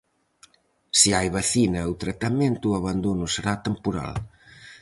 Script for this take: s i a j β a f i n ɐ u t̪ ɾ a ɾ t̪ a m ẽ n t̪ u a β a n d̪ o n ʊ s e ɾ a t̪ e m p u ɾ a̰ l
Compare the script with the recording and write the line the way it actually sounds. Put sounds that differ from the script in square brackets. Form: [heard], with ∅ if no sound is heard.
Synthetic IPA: s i a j β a [θ] i n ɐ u t̪ ɾ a [∅] t̪ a m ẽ n t̪ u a β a n d̪ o n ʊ s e ɾ a t̪ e m p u ɾ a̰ l